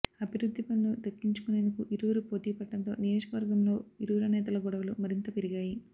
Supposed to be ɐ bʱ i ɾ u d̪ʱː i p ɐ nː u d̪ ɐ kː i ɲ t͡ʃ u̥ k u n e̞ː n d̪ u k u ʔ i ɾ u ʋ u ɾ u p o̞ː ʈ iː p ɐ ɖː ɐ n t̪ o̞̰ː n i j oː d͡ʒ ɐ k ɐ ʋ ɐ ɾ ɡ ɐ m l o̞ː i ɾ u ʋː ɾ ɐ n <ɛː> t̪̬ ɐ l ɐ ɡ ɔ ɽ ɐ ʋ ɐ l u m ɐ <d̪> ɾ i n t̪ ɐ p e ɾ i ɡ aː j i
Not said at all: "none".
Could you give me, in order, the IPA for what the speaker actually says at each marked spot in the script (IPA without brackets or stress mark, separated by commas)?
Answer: ɛː, none